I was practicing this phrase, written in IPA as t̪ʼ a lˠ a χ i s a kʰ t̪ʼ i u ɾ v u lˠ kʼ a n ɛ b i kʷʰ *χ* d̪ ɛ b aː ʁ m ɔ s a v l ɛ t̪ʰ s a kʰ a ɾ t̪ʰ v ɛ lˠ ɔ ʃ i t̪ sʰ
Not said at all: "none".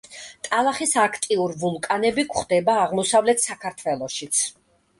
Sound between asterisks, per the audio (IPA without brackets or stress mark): χ